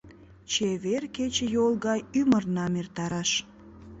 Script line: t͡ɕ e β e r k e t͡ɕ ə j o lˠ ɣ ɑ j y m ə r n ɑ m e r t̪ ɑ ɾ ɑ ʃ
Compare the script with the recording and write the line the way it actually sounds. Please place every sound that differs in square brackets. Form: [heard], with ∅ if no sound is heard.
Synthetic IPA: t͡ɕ e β e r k e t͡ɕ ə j o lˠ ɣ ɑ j y m ə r n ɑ m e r t̪ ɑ ɾ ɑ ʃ